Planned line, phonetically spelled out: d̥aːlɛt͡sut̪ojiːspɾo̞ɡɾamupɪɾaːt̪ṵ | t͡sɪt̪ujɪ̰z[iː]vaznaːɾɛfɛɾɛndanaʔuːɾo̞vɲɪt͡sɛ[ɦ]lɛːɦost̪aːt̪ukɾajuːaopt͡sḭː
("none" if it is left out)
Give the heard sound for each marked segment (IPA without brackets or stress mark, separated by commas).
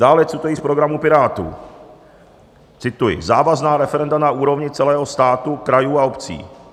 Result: aː, none